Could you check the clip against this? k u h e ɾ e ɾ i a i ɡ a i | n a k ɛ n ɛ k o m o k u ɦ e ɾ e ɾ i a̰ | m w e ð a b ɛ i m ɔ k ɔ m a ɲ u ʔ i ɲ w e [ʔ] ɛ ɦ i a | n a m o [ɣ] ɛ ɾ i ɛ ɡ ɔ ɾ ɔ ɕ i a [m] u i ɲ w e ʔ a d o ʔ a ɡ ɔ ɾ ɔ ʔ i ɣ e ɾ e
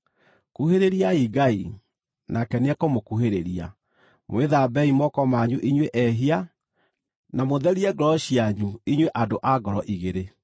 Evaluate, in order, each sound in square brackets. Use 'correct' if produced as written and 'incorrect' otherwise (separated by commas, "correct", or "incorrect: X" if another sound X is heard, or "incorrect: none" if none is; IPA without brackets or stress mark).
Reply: correct, incorrect: ð, incorrect: ɲ